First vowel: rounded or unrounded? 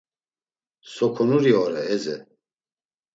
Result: rounded